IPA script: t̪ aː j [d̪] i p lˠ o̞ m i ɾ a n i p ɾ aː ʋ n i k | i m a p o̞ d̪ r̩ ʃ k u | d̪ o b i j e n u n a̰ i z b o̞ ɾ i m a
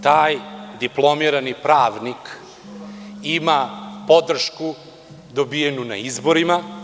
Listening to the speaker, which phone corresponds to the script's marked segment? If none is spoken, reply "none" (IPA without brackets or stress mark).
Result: d̪